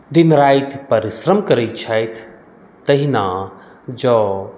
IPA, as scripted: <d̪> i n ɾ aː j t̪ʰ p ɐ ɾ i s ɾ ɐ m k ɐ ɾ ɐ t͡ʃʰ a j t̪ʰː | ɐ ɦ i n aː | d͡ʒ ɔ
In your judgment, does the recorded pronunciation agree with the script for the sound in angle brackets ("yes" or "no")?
yes